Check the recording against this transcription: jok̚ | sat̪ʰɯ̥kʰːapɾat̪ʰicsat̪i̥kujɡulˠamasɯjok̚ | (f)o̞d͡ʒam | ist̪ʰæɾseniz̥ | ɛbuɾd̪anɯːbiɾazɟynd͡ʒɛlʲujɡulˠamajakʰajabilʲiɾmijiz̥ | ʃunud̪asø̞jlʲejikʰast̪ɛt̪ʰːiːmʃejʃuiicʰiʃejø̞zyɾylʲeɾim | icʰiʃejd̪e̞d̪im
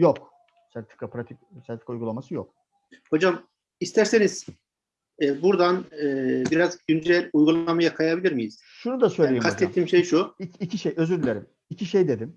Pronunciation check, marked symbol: incorrect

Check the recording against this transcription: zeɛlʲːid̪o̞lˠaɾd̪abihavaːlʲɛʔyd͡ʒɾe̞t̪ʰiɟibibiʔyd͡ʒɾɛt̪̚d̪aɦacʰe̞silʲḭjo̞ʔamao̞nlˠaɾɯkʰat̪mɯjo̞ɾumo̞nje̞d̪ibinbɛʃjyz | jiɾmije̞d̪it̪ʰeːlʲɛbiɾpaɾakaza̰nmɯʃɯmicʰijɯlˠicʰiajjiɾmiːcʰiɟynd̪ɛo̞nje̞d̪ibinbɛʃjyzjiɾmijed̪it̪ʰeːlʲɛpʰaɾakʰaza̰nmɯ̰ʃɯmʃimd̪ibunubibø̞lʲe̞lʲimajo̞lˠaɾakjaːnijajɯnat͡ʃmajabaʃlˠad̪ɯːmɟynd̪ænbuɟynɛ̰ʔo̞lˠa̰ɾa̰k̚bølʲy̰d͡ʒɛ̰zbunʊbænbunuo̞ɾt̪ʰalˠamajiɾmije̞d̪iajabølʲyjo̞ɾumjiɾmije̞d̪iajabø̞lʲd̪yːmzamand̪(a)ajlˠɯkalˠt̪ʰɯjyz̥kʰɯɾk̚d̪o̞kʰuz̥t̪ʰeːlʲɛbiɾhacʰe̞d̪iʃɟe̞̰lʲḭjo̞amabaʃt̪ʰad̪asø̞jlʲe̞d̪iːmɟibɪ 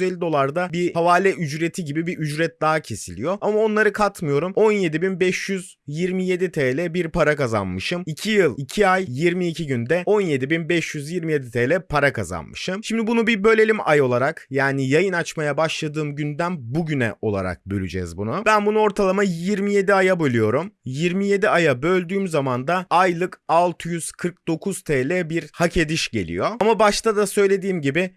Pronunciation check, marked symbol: correct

